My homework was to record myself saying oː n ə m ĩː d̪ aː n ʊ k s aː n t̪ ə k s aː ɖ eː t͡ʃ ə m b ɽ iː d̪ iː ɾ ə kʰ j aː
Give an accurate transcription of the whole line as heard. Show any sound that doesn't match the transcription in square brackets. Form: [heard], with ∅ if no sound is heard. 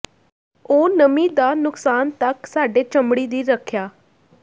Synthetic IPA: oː n ə m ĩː d̪ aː n ʊ k s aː n t̪ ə k s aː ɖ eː t͡ʃ ə m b ɽ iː d̪ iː ɾ ə kʰ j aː